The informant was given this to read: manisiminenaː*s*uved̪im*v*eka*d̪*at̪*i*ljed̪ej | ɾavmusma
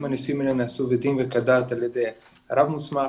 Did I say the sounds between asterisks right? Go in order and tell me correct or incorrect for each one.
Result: correct, correct, correct, incorrect: a

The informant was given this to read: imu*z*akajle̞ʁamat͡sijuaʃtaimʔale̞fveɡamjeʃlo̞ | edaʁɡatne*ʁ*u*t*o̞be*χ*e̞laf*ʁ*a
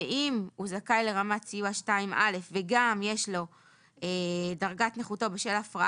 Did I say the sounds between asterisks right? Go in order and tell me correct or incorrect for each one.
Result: correct, incorrect: χ, correct, incorrect: ʃ, correct

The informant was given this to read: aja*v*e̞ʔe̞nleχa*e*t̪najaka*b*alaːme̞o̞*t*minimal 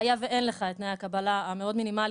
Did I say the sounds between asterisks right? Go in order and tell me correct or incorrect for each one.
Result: correct, correct, correct, incorrect: d

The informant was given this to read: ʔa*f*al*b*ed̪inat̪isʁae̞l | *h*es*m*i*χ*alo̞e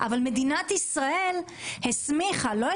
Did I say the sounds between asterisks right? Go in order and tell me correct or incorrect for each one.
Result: incorrect: v, incorrect: m, correct, correct, correct

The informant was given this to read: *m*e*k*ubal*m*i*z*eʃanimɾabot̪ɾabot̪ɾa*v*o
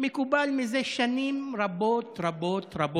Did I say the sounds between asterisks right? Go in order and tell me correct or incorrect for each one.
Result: correct, correct, correct, correct, incorrect: b

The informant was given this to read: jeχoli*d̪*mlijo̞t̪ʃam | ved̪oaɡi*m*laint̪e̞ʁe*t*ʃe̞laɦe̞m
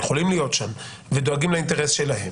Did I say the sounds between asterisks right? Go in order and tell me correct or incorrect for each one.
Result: incorrect: none, correct, incorrect: s

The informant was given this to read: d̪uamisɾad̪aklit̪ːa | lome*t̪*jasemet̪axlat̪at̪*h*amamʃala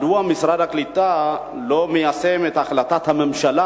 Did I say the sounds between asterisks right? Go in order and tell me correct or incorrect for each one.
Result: incorrect: none, correct

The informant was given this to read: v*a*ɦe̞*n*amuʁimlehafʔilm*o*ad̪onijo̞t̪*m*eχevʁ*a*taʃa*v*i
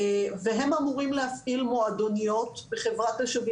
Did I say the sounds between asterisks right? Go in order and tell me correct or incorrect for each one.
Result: incorrect: e, incorrect: m, correct, incorrect: b, correct, correct

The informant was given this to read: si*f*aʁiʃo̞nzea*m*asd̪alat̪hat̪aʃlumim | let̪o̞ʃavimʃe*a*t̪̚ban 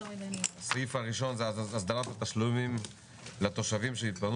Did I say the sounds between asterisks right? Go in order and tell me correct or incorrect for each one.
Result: correct, incorrect: none, incorrect: i

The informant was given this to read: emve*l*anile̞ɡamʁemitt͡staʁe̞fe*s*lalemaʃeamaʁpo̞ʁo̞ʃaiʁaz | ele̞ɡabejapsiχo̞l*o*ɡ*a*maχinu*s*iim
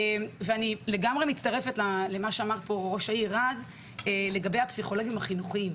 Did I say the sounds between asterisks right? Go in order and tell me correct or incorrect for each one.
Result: incorrect: none, incorrect: t, correct, incorrect: i, incorrect: χ

